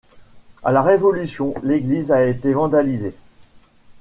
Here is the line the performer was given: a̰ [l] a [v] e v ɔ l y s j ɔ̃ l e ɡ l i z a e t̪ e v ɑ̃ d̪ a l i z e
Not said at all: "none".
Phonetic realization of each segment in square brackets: l, ʁ

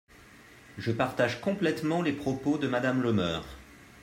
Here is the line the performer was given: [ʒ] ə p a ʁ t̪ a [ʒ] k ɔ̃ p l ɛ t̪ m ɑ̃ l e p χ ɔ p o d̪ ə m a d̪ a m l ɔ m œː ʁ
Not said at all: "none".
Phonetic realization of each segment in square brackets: ʒ, ʒ

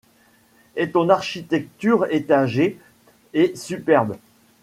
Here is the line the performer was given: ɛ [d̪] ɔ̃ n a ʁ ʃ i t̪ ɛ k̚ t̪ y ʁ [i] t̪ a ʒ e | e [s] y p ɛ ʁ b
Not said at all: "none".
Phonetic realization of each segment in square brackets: t̪, e, s

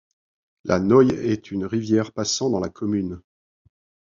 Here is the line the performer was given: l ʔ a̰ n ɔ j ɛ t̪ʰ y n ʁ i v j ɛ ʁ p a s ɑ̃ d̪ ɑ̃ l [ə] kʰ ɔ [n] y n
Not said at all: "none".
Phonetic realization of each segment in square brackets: a, m

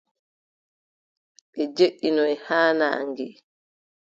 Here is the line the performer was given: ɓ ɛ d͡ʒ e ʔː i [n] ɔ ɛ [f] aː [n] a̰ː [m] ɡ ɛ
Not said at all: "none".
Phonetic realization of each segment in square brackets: n, h, n, ŋ

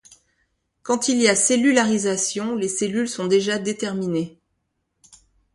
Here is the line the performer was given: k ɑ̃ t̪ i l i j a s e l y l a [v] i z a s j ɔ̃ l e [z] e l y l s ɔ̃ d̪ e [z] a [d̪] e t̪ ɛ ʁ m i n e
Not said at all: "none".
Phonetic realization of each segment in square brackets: ʁ, s, ʒ, d̪

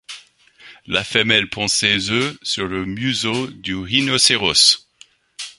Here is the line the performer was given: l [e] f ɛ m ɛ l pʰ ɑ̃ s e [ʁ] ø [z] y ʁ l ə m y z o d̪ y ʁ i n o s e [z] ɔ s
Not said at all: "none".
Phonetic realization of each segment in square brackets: a, z, s, ʁ

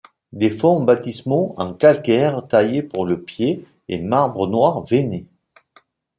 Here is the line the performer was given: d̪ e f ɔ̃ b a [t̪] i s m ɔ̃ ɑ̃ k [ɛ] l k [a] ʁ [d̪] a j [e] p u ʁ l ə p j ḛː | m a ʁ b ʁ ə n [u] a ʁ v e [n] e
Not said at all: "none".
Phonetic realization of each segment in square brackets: t̪, a, ɛ, t̪, e, w, n

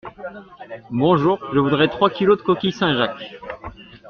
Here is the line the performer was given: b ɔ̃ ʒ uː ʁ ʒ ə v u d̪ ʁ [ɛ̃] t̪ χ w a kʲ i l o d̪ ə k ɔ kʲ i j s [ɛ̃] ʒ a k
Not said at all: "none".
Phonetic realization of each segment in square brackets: ɛ, ɛ̃

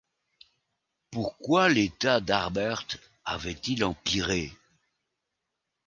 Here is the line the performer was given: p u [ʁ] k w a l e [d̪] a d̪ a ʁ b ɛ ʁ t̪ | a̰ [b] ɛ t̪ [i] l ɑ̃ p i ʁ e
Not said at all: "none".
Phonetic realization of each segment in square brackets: ʁ, t̪, v, i

